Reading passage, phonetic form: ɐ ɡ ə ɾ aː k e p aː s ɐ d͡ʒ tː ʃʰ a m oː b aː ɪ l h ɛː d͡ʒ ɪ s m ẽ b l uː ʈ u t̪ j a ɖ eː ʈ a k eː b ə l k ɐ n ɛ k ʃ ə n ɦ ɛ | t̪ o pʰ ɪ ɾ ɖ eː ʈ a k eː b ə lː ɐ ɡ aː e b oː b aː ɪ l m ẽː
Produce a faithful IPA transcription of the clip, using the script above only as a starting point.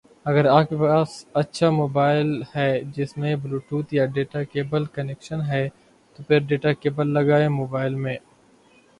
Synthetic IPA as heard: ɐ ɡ ə ɾ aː k e p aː s ɐ tː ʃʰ a m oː b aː ɪ l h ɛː d͡ʒ ɪ s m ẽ b l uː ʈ uː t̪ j a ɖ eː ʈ a k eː b ə l k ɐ n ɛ k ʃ ə n ɦ ɛ | t̪ o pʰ ɪ ɾ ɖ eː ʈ a k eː b ə lː ɐ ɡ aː e m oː b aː ɪ l m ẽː